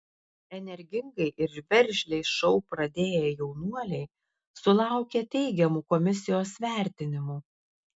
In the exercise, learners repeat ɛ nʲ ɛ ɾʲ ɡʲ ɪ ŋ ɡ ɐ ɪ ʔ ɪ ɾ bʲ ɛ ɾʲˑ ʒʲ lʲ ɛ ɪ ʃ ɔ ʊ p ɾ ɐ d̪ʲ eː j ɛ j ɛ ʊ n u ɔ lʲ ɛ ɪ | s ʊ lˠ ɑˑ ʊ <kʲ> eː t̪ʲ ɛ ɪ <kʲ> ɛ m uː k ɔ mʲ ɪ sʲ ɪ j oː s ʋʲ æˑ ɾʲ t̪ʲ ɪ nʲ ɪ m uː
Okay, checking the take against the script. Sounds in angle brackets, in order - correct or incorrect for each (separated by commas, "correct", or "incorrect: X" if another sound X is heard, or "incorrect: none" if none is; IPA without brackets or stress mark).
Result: correct, incorrect: ɡʲ